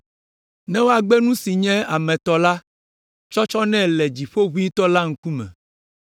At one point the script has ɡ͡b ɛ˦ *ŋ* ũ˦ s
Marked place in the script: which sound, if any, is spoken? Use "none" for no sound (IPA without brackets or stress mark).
n